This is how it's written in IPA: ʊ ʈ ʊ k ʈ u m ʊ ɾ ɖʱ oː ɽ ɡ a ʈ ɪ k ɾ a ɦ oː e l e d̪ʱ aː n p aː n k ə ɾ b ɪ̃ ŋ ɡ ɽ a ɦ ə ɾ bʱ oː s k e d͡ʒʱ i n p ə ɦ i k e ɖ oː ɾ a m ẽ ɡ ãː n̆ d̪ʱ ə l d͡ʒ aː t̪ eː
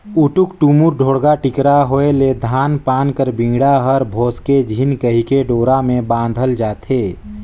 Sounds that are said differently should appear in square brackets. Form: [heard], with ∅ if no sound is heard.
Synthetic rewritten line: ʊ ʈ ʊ k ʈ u m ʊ ɾ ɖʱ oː ɽ ɡ a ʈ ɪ k ɾ a ɦ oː e l e d̪ʱ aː n p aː n k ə ɾ b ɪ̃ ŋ ɡ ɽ a ɦ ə ɾ bʱ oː s k e d͡ʒʱ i n [k] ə ɦ i k e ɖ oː ɾ a m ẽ [b] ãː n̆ d̪ʱ ə l d͡ʒ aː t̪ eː